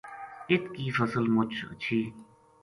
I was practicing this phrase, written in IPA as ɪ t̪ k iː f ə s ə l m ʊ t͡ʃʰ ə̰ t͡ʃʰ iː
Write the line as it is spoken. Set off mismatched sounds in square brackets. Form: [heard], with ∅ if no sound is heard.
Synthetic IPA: ɪ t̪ k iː f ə s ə l m ʊ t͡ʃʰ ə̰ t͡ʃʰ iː

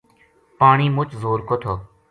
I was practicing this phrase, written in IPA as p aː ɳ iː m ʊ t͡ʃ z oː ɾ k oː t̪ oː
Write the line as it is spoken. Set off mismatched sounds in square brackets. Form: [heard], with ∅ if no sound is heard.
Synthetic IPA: p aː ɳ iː m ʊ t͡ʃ z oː ɾ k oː [t̪ʰ] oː

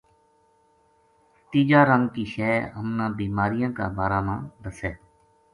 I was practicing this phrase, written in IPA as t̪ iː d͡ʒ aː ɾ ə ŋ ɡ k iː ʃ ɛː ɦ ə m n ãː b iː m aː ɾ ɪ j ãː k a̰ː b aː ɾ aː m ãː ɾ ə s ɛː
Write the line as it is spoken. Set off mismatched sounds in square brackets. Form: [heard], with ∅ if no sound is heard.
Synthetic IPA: t̪ iː d͡ʒ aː ɾ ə ŋ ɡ k iː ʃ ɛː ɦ ə m n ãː b iː m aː ɾ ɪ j ãː k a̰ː b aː ɾ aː m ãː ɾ ə s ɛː

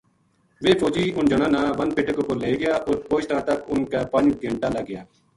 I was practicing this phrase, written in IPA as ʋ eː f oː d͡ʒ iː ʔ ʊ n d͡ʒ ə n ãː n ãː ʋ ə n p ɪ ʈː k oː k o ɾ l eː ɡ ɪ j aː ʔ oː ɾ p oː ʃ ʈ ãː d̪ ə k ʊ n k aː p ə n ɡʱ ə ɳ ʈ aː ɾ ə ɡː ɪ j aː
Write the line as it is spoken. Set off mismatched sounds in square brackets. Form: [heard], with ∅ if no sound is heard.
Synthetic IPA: ʋ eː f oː d͡ʒ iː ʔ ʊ n d͡ʒ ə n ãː n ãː ʋ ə n p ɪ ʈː k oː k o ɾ l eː ɡ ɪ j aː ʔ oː ɾ p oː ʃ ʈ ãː [t̪] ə k ʊ n k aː p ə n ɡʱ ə ɳ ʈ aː [l] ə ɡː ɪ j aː

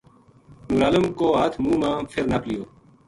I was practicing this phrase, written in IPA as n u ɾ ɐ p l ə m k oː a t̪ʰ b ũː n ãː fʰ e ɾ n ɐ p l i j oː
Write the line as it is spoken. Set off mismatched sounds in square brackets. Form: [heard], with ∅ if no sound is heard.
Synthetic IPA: n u ɾ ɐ [∅] l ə m k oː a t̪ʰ [m] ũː [m] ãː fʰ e ɾ n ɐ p l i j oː

